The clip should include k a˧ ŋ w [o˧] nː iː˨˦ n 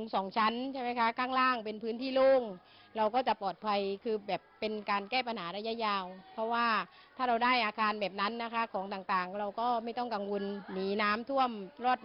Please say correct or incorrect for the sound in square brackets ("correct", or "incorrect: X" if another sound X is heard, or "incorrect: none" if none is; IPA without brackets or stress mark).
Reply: correct